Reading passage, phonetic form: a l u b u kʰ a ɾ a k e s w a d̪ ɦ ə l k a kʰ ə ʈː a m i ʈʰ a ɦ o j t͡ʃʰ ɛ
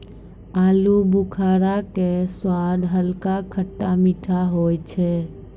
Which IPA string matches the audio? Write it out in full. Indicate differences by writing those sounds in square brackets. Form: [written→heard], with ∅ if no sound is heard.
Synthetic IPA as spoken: a l u b u kʰ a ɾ a k e s w a d̪ ɦ ə l k a kʰ ə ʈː a m i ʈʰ a ɦ o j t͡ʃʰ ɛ